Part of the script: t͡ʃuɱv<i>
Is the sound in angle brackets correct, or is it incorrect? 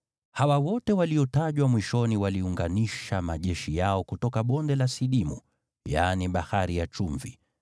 correct